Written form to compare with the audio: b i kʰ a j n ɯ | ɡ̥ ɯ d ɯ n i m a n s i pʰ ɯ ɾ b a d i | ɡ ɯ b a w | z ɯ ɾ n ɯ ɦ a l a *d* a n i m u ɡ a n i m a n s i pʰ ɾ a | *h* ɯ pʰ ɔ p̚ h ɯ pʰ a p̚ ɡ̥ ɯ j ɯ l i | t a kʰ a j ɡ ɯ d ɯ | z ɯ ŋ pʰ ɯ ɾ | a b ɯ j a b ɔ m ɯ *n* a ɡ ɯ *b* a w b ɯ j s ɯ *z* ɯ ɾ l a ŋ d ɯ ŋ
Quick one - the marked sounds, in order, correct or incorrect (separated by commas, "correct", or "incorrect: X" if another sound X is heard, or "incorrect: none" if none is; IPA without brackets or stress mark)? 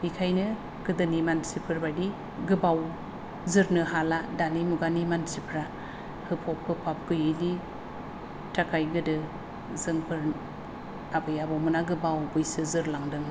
correct, correct, correct, correct, correct